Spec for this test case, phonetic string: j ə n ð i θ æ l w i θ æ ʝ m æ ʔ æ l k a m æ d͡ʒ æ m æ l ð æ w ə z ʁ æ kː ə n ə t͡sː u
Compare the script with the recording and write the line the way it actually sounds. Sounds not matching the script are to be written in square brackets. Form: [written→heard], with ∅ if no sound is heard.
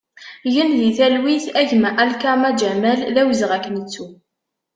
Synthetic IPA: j ə n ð i θ æ l w i θ æ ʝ m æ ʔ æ l k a m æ d͡ʒ æ m æ l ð æ w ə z ʁ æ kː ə n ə t͡sː u